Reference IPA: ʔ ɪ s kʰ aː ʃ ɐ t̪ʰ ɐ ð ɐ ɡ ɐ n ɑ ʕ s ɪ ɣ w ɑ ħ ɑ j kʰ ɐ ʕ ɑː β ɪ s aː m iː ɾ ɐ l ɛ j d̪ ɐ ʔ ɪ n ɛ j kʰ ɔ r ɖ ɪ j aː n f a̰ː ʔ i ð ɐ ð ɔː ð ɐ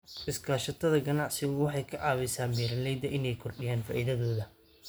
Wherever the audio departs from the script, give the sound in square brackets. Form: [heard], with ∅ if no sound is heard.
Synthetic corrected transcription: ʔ ɪ s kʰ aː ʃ ɐ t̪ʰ ɐ ð ɐ ɡ ɐ n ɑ ʕ s ɪ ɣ w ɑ ħ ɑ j kʰ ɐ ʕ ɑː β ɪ s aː m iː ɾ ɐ l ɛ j d̪ ɐ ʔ ɪ n ɛ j kʰ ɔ r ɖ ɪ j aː n f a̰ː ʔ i ð ɐ ð ɔː ð ɐ